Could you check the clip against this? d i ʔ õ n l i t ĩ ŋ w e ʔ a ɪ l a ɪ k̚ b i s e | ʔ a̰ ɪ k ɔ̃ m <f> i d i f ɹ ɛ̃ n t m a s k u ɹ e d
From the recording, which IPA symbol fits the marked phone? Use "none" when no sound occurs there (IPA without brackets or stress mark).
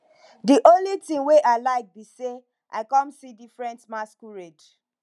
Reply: s